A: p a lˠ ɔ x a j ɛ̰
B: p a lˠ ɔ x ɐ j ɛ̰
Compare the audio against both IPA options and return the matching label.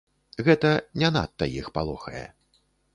B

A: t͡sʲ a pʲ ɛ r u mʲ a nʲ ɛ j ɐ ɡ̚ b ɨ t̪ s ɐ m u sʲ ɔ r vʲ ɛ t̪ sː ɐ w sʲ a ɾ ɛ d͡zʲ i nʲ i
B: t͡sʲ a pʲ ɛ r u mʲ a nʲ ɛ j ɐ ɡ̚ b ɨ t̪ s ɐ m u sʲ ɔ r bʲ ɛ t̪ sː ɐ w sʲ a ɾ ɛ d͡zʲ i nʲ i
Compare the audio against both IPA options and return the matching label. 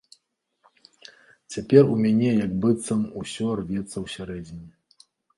A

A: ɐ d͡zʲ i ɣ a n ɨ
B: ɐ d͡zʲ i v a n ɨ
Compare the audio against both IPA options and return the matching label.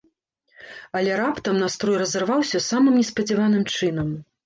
B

